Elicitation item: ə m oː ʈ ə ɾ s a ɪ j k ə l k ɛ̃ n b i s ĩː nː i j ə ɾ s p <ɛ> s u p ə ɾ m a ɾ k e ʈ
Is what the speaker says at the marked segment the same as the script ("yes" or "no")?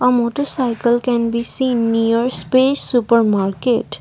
no